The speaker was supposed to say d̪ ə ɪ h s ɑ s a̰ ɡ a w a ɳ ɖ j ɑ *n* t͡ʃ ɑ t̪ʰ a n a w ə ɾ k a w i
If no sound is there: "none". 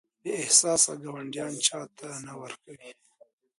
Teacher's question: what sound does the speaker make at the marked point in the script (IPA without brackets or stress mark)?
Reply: n